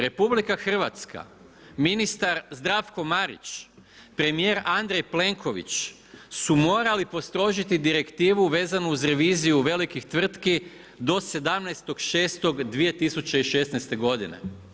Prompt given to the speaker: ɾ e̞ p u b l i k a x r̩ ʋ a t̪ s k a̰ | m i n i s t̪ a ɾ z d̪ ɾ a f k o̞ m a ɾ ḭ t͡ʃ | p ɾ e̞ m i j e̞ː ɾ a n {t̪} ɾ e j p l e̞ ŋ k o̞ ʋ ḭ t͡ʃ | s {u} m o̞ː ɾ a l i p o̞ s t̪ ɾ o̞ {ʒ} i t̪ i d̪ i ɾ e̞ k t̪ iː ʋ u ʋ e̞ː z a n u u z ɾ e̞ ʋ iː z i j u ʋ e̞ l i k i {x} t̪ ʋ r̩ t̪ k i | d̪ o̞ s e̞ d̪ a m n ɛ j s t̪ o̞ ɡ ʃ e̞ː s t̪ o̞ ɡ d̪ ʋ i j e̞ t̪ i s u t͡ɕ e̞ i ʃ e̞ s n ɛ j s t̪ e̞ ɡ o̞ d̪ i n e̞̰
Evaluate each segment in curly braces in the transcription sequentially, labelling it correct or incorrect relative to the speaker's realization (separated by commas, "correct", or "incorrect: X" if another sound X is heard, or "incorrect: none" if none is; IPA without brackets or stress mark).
incorrect: d̪, correct, correct, correct